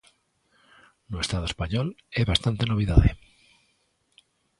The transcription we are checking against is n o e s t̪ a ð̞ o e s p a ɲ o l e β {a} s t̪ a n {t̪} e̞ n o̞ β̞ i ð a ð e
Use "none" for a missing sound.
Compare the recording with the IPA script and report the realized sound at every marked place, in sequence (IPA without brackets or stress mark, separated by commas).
a, t̪